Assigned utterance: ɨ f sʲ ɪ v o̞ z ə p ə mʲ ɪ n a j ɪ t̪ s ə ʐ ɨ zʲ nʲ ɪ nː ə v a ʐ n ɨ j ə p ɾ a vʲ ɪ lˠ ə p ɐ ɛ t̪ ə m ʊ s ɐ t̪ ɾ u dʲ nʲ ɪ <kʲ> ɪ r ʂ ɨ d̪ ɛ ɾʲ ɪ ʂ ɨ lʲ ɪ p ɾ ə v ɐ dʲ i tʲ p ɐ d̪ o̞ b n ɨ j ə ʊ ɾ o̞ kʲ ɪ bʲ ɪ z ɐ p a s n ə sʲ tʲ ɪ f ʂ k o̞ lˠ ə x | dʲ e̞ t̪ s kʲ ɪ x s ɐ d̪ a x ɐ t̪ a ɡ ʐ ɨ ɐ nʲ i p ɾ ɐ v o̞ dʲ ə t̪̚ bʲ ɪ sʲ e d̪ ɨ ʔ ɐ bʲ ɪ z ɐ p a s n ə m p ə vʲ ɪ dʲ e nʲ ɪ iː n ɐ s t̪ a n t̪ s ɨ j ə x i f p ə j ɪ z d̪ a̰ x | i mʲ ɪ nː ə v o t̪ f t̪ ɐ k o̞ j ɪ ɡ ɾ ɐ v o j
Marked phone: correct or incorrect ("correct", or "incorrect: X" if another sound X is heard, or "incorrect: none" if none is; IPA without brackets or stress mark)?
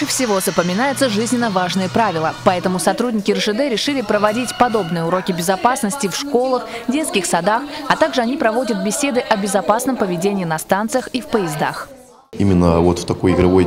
correct